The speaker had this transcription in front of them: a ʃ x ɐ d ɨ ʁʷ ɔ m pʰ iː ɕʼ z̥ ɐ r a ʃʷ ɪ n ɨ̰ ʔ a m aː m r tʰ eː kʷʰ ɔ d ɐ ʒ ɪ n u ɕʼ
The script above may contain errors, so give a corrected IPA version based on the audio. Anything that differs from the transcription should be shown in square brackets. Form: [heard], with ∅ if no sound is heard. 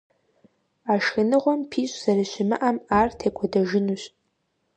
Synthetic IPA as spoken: a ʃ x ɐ [n] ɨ ʁʷ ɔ m pʰ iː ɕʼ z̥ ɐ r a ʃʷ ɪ [m] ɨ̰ ʔ a m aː [∅] r tʰ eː kʷʰ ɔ d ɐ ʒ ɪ n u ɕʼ